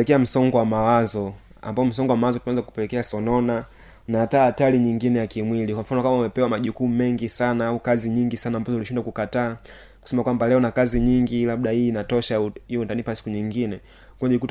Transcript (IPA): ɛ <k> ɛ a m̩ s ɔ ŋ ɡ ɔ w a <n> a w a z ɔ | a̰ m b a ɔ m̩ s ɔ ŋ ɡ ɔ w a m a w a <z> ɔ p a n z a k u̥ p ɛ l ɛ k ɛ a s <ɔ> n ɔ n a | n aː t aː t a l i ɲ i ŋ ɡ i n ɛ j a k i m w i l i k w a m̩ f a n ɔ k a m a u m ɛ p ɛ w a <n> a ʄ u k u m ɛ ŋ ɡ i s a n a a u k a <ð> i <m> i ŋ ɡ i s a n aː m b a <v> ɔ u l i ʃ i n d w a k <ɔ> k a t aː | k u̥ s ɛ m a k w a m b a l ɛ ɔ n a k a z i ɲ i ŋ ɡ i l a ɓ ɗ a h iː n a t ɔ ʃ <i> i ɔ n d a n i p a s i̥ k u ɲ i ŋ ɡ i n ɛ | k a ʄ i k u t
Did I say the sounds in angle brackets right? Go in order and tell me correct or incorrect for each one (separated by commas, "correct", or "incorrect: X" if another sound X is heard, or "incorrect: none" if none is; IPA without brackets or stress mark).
correct, incorrect: m, correct, correct, incorrect: m, incorrect: z, incorrect: ɲ, incorrect: z, incorrect: u, incorrect: a